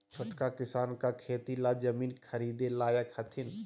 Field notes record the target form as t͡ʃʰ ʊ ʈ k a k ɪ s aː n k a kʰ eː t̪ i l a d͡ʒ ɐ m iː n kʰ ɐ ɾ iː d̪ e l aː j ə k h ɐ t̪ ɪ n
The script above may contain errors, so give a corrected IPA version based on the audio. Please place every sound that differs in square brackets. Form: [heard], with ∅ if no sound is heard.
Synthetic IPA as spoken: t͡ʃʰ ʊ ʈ k a k ɪ s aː n k a kʰ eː t̪ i l a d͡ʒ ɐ m iː n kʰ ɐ ɾ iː d̪ e l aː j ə k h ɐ [t̪ʰ] ɪ n